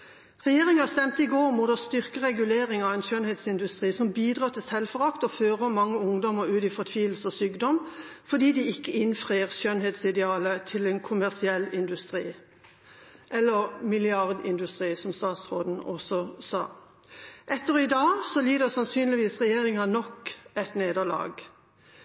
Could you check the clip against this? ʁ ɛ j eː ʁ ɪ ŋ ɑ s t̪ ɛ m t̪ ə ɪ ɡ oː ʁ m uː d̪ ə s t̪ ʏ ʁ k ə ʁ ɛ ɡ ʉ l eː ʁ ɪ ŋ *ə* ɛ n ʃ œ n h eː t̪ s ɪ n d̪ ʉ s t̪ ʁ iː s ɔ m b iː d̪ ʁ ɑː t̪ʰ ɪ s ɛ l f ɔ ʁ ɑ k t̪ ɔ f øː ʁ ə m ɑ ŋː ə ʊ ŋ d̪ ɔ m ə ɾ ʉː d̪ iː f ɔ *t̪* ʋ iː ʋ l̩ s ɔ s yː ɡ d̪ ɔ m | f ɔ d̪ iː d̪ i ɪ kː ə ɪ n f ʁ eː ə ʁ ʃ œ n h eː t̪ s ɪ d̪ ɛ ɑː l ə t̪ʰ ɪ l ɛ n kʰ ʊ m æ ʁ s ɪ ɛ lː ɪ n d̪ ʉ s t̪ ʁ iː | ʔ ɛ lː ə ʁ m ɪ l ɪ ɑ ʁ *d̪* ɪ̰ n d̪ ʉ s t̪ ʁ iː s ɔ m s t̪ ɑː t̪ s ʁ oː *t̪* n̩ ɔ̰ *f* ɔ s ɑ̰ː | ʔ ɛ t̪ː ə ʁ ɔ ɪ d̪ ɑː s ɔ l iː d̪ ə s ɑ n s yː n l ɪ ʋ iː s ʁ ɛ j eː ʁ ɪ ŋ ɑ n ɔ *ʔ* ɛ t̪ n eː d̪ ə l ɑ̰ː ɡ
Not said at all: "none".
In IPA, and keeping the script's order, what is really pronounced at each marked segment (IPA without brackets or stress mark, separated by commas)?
ɑ, t̪ʰ, d̪, d̪, s, k